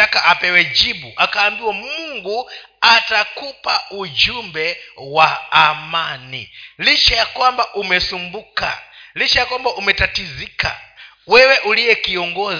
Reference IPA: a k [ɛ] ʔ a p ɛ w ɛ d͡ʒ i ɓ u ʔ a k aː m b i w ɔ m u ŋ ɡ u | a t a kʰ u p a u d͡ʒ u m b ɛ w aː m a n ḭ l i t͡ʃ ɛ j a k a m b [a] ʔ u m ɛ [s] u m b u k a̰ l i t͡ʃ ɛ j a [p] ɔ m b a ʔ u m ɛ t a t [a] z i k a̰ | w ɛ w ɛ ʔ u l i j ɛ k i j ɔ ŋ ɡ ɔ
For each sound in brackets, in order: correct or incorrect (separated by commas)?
incorrect, correct, correct, incorrect, incorrect